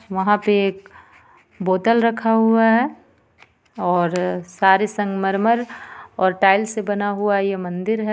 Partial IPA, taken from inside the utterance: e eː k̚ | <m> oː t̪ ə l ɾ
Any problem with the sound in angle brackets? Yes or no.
yes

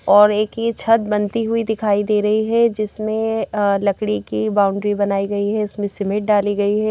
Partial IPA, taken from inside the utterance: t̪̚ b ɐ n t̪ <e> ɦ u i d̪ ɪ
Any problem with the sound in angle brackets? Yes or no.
yes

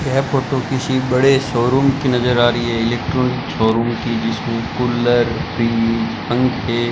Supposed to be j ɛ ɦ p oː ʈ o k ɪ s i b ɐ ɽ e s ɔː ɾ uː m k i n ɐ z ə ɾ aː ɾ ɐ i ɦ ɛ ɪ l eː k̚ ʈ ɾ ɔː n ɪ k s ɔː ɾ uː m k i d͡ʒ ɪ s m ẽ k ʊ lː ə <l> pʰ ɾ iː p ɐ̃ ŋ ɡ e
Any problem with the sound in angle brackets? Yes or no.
yes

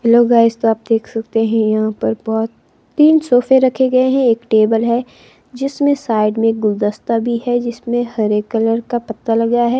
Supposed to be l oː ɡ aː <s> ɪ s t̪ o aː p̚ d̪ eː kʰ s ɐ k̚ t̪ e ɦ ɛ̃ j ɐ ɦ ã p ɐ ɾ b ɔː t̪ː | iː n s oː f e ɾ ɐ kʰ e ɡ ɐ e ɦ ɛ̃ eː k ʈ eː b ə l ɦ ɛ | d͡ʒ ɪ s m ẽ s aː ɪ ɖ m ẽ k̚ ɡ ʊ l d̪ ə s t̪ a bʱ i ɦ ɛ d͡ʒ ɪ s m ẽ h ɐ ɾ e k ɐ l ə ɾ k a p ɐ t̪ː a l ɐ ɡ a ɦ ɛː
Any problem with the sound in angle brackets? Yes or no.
yes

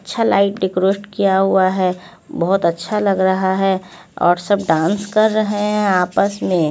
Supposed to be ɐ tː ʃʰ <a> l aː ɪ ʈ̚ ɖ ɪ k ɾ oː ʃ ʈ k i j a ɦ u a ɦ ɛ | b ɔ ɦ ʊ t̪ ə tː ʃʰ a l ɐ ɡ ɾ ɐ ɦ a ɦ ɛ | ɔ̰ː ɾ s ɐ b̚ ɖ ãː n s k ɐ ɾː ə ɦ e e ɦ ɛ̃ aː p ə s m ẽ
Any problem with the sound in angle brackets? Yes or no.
no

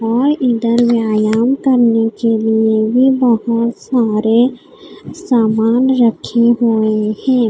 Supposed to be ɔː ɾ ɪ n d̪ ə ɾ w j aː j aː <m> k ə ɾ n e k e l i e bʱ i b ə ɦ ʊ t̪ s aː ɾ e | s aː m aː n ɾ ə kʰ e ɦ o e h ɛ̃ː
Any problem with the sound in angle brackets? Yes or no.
no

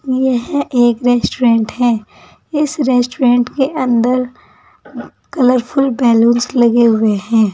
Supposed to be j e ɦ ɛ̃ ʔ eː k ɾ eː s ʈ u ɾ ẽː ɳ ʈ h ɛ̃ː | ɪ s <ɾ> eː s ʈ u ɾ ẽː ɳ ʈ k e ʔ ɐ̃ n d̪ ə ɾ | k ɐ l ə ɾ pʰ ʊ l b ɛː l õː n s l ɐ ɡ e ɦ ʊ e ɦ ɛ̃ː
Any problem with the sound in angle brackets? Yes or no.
no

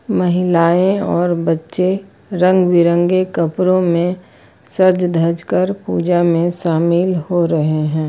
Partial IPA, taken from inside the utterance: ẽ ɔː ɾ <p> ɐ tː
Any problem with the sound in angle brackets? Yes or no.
yes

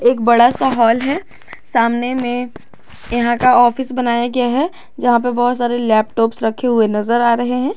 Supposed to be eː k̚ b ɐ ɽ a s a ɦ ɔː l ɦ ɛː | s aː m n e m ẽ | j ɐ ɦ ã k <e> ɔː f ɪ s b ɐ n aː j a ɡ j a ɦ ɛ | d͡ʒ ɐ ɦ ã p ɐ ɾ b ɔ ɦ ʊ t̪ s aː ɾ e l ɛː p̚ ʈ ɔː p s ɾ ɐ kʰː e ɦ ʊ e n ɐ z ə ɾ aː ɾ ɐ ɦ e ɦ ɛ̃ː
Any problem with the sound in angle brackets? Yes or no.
yes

